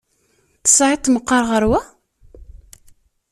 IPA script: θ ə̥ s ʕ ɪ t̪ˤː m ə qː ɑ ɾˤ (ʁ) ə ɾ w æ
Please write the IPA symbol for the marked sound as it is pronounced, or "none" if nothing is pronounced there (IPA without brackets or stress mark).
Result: ʁ